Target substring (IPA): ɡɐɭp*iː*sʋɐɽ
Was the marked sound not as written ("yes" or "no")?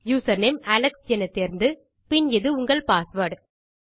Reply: yes